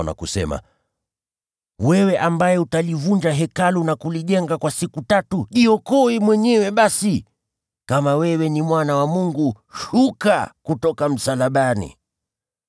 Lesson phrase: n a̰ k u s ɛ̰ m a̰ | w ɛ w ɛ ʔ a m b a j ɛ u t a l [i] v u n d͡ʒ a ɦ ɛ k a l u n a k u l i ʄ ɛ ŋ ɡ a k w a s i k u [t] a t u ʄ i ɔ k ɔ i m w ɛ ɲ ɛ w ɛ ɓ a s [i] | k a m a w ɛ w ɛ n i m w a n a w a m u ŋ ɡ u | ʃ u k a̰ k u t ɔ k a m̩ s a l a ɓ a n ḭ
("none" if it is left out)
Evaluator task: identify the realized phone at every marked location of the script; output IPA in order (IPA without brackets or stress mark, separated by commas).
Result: i, t, i